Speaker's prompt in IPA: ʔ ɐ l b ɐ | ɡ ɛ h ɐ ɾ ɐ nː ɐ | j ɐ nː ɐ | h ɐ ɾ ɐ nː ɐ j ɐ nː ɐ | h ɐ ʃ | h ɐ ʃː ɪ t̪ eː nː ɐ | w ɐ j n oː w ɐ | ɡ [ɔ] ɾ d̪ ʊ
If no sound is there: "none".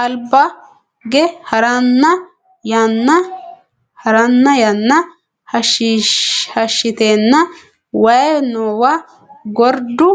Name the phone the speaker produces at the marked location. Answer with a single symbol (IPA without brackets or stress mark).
ɔ